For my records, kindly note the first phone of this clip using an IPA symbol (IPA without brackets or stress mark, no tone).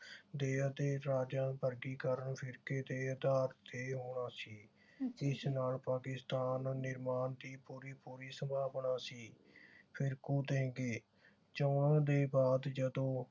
d̪